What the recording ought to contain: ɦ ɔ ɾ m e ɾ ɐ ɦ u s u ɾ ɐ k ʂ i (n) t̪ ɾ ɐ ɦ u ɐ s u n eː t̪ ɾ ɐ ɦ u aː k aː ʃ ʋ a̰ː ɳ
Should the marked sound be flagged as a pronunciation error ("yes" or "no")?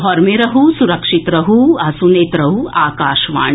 yes